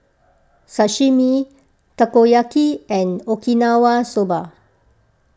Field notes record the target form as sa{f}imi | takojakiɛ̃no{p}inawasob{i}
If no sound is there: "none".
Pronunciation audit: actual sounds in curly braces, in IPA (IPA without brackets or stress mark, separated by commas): ʃ, k, a